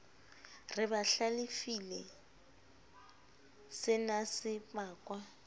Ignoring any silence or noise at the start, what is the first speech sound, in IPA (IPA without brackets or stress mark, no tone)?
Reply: r